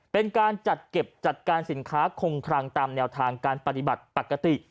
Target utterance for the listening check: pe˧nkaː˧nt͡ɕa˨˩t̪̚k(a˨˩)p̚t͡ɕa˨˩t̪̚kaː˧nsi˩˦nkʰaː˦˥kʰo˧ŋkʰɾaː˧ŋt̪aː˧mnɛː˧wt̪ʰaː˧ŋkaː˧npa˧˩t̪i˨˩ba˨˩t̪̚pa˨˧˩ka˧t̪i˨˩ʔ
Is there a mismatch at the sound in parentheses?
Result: yes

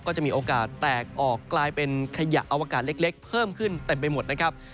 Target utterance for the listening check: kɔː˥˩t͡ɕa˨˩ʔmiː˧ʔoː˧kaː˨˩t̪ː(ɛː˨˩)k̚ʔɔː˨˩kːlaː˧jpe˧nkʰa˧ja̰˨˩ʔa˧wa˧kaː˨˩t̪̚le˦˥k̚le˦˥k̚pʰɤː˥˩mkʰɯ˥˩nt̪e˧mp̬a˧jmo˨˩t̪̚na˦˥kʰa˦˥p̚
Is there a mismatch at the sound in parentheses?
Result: no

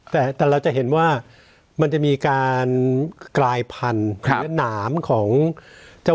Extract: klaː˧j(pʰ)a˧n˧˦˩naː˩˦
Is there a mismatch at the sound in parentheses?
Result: no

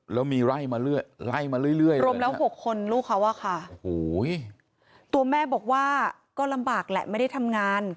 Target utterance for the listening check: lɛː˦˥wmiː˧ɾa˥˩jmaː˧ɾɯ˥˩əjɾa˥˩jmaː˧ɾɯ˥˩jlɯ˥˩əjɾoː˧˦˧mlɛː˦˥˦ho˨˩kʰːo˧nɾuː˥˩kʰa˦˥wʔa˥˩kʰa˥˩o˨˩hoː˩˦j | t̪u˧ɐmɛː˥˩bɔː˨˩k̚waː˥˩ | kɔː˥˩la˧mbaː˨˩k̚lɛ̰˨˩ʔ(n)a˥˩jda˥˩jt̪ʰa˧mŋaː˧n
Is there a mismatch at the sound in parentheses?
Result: yes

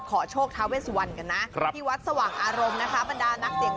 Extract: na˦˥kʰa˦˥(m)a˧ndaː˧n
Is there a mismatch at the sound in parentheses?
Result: yes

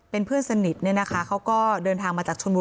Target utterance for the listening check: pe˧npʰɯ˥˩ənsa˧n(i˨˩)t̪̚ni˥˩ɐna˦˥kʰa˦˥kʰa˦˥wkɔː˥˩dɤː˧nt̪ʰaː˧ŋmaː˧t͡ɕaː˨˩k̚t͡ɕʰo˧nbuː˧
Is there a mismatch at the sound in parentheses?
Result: no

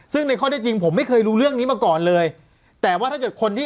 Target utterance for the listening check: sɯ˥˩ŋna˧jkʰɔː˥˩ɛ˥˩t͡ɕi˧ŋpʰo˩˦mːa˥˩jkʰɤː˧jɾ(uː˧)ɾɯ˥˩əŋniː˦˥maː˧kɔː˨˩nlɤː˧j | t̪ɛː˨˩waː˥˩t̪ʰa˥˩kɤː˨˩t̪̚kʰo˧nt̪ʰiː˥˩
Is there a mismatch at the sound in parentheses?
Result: yes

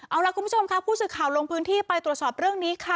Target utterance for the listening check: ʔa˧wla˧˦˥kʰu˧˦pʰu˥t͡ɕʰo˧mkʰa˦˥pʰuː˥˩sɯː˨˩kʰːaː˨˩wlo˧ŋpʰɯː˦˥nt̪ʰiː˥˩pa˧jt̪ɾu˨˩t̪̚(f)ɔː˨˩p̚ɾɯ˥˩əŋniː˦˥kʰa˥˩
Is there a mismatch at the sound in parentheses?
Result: yes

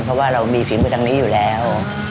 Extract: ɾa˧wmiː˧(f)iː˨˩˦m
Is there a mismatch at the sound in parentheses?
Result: no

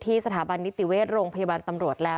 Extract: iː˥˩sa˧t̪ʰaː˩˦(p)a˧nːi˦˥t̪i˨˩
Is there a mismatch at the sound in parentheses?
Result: yes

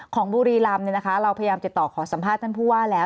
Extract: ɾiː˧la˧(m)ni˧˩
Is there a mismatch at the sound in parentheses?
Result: no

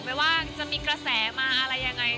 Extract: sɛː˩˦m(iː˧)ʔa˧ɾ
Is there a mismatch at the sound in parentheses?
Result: yes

